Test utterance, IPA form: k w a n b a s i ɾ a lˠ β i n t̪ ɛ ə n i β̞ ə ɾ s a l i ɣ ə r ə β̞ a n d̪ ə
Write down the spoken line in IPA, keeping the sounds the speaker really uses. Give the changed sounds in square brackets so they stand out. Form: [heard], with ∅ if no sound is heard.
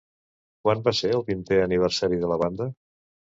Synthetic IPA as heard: k w a n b a s [e] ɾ [ə] lˠ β i n t̪ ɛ ə n i β̞ ə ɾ s a [ɾ] i [ð] ə [l] ə β̞ a n d̪ ə